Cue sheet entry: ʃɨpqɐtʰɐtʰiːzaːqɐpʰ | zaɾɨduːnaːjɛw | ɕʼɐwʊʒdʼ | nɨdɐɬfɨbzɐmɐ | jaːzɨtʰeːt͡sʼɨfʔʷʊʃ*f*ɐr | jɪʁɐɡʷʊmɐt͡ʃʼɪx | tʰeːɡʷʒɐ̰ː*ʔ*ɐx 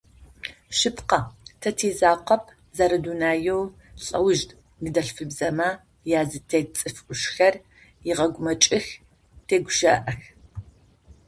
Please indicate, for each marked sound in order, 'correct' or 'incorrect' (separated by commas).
incorrect, correct